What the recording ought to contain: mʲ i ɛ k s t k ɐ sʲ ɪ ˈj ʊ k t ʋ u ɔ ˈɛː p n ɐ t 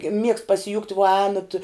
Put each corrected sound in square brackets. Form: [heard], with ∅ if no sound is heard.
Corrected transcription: mʲ i ɛ k s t [p] ɐ sʲ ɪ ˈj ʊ k t ʋ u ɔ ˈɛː [∅] n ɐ t